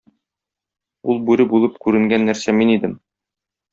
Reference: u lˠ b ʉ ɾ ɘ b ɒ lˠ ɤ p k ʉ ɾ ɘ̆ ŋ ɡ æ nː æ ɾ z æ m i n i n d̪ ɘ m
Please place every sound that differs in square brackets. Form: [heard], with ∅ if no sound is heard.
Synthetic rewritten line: u lˠ b ʉ ɾ ɘ b [u] lˠ ɤ p k ʉ ɾ ɘ̆ ŋ ɡ æ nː æ ɾ [s] æ m i n i [∅] d̪ ɘ m